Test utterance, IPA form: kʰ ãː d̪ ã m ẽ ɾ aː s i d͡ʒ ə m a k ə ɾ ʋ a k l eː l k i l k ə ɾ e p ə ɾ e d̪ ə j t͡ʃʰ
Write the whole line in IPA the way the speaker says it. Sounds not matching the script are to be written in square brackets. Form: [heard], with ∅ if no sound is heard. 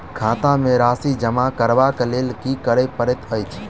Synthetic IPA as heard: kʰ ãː [t̪] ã m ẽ ɾ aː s i d͡ʒ ə m a k ə ɾ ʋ a k l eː l k i [∅] k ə ɾ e p ə ɾ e [t̪] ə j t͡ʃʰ

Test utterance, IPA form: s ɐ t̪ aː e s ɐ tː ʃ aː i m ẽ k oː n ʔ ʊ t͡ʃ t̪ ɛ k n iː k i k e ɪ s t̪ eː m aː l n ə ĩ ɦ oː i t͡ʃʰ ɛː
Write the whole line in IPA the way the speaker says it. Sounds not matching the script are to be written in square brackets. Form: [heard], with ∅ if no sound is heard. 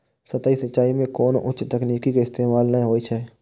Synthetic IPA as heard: s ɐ t̪ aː [i] s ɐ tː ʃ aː i m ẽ k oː n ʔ ʊ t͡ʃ t̪ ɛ k n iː k i k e ɪ s t̪ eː m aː l n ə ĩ ɦ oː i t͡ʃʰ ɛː

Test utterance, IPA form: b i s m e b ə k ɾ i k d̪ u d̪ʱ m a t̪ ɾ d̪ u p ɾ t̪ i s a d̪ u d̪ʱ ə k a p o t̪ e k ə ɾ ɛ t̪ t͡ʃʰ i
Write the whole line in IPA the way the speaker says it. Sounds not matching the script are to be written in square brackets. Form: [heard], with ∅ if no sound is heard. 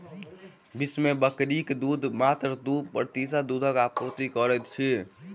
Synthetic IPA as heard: b i s m e b ə k ɾ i k d̪ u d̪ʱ m a t̪ ɾ d̪ u p ɾ t̪ i s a d̪ u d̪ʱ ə k a p o t̪ [i] k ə ɾ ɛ t̪ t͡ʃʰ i

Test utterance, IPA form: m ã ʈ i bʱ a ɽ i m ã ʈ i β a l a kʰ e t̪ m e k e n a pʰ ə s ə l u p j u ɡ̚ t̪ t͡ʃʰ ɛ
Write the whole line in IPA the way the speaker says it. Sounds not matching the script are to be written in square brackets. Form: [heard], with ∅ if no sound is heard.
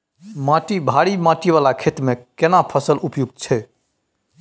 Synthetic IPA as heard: m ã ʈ i bʱ a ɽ i m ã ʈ i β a l a kʰ e t̪ m e k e n a pʰ ə s ə l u p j u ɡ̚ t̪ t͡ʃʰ ɛ

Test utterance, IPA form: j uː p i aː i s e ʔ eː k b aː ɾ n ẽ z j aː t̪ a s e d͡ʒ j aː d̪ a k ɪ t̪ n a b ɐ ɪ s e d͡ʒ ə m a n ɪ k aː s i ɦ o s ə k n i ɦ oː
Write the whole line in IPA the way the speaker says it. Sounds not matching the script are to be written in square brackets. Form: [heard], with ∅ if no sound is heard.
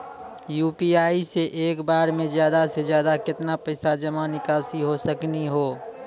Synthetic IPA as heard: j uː p i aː i s e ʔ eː k b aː ɾ [m] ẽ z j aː [d̪] a s e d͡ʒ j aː d̪ a k ɪ t̪ n a [p] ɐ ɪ s [a] d͡ʒ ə m a n ɪ k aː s i ɦ o s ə k n i ɦ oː

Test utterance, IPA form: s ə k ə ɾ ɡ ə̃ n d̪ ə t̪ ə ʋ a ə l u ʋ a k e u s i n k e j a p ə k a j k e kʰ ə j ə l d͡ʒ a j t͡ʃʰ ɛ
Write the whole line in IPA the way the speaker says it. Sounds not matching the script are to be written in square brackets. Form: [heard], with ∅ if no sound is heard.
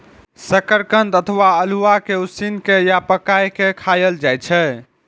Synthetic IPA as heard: s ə k ə ɾ [k] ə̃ n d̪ ə [t̪ʰ] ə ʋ a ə l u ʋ a k e u s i n k e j a p ə k a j k e kʰ [a] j ə l d͡ʒ a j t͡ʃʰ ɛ

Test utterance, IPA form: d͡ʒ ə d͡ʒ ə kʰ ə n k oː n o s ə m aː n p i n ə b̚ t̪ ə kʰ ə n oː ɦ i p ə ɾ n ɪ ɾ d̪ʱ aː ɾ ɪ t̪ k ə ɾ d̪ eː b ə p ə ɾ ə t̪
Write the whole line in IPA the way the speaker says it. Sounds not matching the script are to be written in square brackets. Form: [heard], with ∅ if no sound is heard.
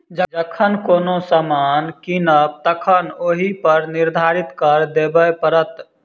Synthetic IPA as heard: d͡ʒ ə d͡ʒ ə kʰ ə n k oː n o s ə m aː n [k] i n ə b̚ t̪ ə kʰ ə n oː ɦ i p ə ɾ n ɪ ɾ d̪ʱ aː ɾ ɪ t̪ k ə ɾ d̪ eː b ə p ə ɾ ə t̪

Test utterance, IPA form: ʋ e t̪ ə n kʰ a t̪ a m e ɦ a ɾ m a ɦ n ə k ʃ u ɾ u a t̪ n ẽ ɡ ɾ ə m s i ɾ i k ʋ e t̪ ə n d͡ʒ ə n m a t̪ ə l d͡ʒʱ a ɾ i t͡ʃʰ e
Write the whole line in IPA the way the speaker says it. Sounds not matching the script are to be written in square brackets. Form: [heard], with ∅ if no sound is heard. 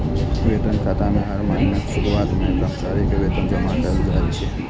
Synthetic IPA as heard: ʋ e t̪ ə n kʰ a t̪ a m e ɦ a ɾ m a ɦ n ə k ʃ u ɾ u a t̪ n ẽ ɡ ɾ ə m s [a] ɾ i k ʋ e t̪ ə n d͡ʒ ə [∅] m a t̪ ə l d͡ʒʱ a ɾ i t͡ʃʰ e

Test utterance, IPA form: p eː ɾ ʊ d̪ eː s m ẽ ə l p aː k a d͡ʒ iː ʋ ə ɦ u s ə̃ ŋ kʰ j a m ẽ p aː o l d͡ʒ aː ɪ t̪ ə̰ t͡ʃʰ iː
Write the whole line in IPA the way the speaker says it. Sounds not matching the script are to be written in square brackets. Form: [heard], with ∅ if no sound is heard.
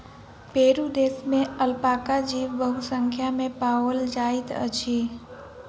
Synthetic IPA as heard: p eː ɾ [u] d̪ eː s m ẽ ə l p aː k a d͡ʒ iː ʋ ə ɦ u s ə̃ ŋ kʰ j a m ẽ p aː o l d͡ʒ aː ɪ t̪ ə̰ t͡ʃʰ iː

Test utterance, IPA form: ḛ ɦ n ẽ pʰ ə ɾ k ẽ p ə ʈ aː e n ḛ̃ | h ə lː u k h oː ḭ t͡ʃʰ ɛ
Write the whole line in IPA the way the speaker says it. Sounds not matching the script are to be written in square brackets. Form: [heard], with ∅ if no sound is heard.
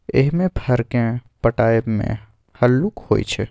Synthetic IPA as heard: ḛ ɦ [m] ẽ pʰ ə ɾ k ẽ p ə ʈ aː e [m] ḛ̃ | h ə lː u k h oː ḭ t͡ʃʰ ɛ

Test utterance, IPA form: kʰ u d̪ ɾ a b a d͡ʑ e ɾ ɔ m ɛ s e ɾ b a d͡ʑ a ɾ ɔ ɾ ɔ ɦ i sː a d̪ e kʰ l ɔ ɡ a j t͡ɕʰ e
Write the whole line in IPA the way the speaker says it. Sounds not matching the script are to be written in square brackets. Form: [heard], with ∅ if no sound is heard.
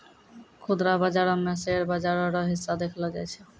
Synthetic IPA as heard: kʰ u d̪ ɾ a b a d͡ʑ [a] ɾ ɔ m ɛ s e ɾ b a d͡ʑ a ɾ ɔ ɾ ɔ ɦ i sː a d̪ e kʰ l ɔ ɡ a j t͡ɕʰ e

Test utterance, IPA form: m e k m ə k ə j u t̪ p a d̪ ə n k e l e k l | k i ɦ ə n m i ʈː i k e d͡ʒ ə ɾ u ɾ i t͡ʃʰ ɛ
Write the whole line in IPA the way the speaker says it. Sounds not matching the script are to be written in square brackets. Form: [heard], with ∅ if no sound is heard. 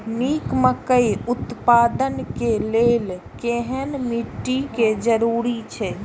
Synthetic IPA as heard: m [i] k m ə k ə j u t̪ p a d̪ ə n k e l e [∅] l | k [e] ɦ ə n m i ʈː i k e d͡ʒ ə ɾ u ɾ i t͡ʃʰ ɛ

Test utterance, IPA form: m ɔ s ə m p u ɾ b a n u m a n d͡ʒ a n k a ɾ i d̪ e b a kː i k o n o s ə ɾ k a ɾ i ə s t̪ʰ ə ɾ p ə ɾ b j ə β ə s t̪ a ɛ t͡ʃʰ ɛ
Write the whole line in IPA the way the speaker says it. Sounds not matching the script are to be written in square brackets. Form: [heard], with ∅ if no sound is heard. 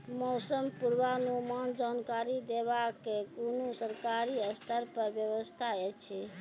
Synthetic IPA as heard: m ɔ s ə m p u ɾ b a n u m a n d͡ʒ a n k a ɾ i d̪ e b a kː [e] k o n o s ə ɾ k a ɾ i ə s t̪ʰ ə ɾ p ə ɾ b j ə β ə s [t̪ʰ] a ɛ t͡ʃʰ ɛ

